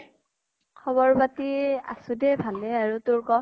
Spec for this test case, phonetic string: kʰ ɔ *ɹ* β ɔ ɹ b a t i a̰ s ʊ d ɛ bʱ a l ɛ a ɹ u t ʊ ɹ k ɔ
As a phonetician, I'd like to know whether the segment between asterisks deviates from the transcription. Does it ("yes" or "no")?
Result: yes